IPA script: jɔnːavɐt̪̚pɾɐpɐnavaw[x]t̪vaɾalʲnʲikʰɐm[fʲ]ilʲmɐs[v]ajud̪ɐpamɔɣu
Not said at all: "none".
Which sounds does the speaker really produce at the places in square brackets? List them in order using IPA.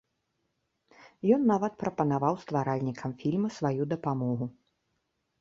s, fʲ, v

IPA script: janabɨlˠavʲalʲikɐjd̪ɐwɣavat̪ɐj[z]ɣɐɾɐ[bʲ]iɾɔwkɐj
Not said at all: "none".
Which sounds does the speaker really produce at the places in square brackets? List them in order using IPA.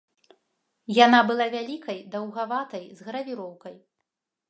z, vʲ

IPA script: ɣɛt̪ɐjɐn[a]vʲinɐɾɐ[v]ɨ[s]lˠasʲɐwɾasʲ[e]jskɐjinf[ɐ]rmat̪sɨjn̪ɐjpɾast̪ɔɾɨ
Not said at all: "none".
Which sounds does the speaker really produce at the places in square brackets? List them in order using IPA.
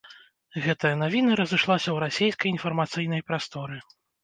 a, z, ʂ, e, ɐ

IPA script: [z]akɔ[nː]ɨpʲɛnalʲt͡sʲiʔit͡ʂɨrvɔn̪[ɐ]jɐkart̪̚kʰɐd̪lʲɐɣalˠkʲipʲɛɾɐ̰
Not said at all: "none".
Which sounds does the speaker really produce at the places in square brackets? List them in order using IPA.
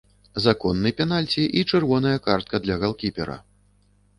z, nː, ɐ

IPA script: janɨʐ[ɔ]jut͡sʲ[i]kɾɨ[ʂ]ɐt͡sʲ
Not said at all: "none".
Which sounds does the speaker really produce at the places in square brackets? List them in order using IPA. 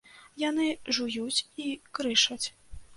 u, i, ʂ

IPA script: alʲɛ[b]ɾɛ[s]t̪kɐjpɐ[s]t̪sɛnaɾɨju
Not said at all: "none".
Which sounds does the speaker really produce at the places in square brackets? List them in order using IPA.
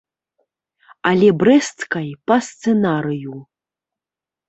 b, s, s

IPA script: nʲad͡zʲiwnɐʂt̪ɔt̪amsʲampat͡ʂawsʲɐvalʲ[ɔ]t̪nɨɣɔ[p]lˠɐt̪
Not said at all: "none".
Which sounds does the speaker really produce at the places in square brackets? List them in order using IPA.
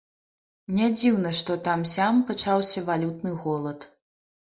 u, none

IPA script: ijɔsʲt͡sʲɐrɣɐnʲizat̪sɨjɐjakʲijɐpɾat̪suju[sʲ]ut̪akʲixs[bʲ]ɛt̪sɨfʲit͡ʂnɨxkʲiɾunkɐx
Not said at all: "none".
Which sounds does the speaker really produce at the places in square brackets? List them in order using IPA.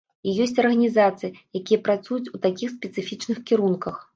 t͡sʲ, pʲ

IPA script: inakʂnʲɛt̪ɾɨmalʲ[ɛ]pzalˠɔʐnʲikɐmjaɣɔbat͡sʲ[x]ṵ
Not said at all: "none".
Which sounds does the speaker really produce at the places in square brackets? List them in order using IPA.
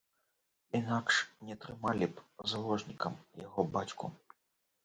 i, k

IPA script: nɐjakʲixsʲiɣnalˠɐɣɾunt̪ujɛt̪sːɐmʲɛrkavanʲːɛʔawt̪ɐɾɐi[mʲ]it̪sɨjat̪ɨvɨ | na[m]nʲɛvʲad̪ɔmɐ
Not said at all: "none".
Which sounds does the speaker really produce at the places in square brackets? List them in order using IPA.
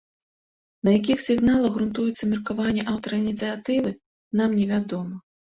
nʲ, m

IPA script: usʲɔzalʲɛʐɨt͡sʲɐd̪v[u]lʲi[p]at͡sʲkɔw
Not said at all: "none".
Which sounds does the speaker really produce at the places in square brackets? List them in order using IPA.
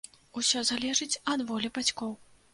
ɔ, b

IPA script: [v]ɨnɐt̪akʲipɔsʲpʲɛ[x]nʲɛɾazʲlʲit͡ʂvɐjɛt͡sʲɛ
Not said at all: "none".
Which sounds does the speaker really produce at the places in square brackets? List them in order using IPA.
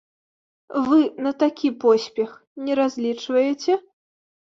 v, x

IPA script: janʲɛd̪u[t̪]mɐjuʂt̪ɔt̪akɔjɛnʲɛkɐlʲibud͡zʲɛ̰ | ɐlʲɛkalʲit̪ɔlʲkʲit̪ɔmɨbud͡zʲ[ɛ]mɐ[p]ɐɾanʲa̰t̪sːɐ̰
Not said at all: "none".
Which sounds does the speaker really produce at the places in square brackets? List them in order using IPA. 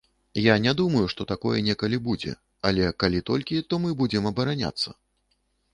none, ɛ, b

